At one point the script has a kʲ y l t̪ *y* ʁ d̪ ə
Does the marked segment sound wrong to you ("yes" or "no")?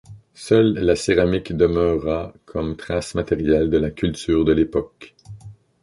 yes